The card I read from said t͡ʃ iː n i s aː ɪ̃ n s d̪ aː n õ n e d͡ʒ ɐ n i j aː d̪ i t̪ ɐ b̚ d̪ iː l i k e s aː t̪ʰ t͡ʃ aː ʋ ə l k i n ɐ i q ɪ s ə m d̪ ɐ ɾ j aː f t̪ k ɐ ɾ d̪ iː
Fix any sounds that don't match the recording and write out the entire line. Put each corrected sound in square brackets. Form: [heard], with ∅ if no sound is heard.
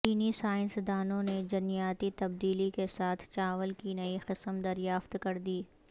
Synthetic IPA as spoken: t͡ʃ iː n i s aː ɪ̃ n s d̪ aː n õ n e d͡ʒ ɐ n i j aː [t̪] i t̪ ɐ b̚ d̪ iː l i k e s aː t̪ʰ t͡ʃ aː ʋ ə l k i n ɐ i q ɪ s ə m d̪ ɐ ɾ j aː f t̪ k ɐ ɾ d̪ iː

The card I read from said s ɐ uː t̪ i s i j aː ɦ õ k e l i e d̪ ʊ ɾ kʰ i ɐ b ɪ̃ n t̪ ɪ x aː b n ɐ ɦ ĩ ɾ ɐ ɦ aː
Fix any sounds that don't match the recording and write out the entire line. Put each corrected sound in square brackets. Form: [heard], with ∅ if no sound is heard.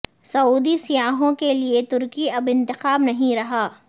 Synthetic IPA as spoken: s ɐ uː [d̪] i s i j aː ɦ õ k e l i e [t̪] ʊ ɾ [k] i ɐ b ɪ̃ n t̪ ɪ x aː b n ɐ ɦ ĩ ɾ ɐ ɦ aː

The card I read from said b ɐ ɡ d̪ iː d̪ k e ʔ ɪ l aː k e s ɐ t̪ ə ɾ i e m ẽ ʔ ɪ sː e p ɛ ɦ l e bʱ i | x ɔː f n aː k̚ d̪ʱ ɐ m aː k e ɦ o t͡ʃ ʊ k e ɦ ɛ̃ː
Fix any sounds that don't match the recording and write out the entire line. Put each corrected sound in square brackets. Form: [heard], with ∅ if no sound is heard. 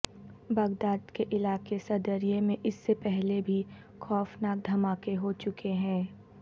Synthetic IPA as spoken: b ɐ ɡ d̪ [aː] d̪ k e ʔ ɪ l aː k e s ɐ [d̪] ə ɾ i e m ẽ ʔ ɪ sː e p ɛ ɦ l e bʱ i | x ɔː f n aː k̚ d̪ʱ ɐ m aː k e ɦ o t͡ʃ ʊ k e ɦ ɛ̃ː

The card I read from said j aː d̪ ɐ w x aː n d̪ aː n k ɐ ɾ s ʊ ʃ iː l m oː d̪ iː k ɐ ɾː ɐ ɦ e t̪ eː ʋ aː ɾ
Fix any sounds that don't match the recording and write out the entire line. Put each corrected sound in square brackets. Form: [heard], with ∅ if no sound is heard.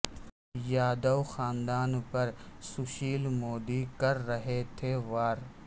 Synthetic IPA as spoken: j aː d̪ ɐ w x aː n d̪ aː n [p] ɐ ɾ s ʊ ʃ iː l m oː d̪ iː k ɐ ɾː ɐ ɦ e [t̪ʰ] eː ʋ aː ɾ

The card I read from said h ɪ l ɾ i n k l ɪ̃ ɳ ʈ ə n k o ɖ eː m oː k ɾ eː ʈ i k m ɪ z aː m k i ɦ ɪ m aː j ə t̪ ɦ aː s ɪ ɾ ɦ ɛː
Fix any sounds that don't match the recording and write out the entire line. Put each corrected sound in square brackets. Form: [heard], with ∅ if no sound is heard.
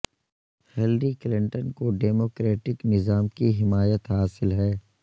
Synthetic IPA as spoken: h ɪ l ɾ i [∅] k l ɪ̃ ɳ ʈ ə n k o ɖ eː m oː k ɾ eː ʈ [ɪ] k [n] ɪ z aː m k i ɦ ɪ m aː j ə t̪ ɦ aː s ɪ [l] ɦ ɛː

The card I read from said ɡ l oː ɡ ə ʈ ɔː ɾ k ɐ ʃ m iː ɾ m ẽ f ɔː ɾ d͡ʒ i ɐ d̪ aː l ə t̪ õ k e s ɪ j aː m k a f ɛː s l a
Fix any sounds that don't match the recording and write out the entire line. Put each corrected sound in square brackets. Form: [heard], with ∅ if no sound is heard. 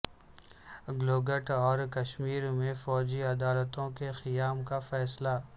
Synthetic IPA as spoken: ɡ l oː ɡ ə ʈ ɔː ɾ k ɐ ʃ m iː ɾ m ẽ f ɔː [∅] d͡ʒ i ɐ d̪ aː l ə t̪ õ k e [x] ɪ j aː m k a f ɛː s l a

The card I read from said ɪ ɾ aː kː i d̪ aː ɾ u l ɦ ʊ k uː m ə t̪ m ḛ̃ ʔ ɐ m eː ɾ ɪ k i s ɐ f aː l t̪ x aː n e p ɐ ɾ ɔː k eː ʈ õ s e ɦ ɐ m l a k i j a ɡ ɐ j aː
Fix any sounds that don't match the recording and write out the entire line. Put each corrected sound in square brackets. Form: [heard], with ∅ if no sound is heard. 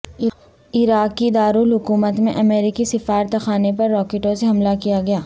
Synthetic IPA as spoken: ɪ ɾ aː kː i d̪ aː ɾ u l ɦ ʊ k uː m ə t̪ m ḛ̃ ʔ ɐ m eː ɾ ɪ k i s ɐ f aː [ɾ] t̪ x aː n e p ɐ [ɾː] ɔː k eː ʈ õ s e ɦ ɐ m l a k i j a ɡ ɐ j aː

